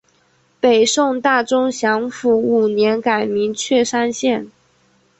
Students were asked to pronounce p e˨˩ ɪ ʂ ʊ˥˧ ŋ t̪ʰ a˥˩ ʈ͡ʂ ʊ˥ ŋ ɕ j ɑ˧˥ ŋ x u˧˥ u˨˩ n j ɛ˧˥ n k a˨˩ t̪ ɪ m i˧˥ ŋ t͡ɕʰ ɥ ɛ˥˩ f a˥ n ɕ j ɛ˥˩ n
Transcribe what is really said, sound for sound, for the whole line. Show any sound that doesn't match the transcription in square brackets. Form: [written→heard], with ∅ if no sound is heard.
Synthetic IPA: p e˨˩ ɪ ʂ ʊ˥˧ ŋ [t̪ʰ→t̪] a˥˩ ʈ͡ʂ ʊ˥ ŋ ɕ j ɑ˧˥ ŋ [x→f] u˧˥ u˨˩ n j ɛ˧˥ n k a˨˩ [t̪→∅] ɪ m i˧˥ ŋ t͡ɕʰ ɥ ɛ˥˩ [f→ʂ] a˥ n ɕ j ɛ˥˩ n